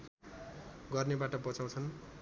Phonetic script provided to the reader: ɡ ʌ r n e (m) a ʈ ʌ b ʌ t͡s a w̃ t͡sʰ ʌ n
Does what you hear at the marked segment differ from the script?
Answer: yes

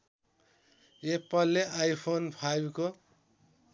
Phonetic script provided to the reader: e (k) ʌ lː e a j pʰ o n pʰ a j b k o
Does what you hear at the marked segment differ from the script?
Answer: yes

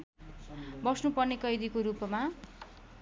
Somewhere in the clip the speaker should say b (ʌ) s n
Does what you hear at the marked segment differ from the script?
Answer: no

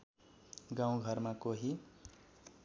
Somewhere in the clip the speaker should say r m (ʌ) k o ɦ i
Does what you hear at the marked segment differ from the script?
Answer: yes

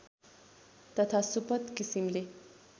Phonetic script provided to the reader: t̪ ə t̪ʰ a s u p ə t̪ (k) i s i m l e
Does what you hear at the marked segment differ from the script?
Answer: no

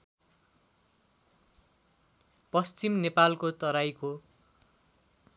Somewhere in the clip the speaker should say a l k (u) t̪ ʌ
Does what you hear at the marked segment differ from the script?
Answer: yes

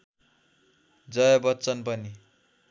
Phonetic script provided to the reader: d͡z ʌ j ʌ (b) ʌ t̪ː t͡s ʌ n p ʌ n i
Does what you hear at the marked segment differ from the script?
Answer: no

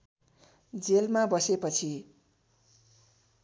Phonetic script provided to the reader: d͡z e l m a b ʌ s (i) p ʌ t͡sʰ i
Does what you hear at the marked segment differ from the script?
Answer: yes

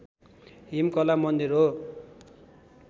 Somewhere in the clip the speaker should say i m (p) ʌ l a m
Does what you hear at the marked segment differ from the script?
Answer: yes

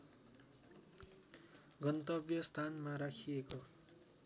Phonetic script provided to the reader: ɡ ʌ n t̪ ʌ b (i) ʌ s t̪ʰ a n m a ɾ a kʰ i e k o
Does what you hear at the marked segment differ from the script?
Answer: yes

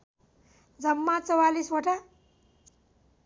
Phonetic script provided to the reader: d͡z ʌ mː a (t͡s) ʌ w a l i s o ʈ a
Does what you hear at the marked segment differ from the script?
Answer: no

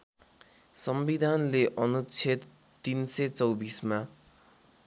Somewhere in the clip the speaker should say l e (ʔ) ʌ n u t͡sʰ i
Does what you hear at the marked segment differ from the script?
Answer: no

